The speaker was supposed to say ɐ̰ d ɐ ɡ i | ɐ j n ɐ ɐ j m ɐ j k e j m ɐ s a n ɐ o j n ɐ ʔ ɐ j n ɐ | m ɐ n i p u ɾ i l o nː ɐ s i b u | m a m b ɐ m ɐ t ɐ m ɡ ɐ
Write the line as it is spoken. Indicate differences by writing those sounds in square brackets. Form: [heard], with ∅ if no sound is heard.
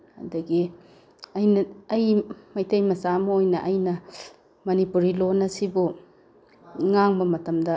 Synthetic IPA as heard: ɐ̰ d ɐ ɡ i | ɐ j n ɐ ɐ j m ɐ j [t] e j m ɐ s a [m] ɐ o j n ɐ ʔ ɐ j n ɐ | m ɐ n i p u ɾ i l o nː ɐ s i b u | [ŋ] a [ŋ] b ɐ m ɐ t ɐ m [d] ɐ